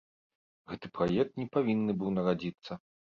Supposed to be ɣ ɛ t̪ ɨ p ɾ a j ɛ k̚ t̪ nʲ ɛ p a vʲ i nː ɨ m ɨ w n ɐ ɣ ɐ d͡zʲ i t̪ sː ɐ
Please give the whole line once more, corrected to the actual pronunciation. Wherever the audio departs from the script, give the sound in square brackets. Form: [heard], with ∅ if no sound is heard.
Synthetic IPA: ɣ ɛ t̪ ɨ p ɾ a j ɛ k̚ t̪ nʲ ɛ p a vʲ i nː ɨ [b] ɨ w n ɐ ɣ [a] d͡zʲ i t̪ sː ɐ